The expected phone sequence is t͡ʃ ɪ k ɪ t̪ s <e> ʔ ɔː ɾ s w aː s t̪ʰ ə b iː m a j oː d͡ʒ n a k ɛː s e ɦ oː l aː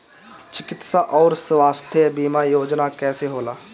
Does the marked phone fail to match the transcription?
yes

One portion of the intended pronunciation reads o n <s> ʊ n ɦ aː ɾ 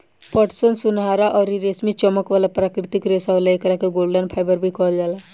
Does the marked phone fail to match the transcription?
no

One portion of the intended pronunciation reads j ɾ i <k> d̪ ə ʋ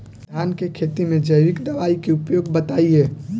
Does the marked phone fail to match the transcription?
no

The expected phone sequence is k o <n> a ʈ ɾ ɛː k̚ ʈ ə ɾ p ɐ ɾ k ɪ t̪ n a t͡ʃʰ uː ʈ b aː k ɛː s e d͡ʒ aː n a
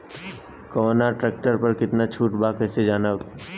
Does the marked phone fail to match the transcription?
no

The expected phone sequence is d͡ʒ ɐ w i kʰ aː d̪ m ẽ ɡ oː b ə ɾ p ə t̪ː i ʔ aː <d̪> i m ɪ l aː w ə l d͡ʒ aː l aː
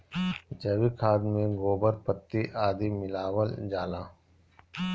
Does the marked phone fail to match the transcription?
no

